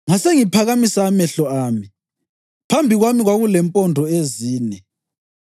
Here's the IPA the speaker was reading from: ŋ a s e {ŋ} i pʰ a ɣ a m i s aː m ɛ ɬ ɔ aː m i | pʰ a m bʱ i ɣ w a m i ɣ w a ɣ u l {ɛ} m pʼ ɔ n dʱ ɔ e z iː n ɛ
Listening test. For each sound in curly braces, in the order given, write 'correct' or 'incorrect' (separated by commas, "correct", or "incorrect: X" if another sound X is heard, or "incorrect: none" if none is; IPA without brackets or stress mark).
correct, correct